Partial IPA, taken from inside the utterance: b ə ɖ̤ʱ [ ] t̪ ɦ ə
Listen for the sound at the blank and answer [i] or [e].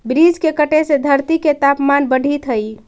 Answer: i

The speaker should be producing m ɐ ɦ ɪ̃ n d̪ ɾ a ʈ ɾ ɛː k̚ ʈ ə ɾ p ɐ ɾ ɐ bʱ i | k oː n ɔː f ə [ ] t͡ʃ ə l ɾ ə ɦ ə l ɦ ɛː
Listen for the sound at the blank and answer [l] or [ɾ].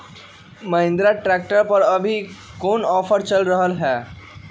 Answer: ɾ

